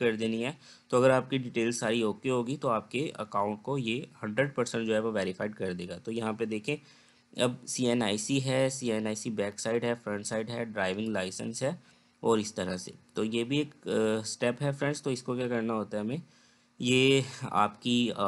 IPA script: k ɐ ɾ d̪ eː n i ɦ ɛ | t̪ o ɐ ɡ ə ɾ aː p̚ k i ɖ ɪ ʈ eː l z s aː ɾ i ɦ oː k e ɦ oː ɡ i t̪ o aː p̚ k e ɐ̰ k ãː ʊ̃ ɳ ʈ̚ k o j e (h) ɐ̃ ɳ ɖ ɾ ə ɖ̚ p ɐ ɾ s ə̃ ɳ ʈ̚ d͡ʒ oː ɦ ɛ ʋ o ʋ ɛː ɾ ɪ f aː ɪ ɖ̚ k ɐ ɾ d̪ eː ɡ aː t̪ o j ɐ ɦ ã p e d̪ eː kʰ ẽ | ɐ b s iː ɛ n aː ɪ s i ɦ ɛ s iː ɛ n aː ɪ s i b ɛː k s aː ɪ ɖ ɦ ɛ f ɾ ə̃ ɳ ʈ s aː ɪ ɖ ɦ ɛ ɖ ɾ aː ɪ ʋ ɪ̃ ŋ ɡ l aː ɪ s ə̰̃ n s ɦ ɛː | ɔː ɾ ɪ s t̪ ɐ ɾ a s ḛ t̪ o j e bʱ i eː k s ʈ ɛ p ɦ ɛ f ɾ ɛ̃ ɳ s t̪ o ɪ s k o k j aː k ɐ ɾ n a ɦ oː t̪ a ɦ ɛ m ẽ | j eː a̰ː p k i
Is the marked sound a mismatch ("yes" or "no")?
no